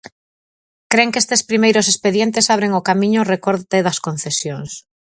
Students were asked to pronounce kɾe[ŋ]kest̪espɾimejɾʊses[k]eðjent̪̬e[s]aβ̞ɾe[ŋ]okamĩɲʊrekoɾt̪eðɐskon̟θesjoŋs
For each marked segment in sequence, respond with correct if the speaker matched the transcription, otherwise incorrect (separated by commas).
correct, incorrect, correct, correct